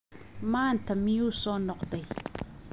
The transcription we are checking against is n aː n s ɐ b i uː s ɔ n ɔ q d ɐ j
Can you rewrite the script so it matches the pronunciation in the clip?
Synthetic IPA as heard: m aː n t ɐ m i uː s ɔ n ɔ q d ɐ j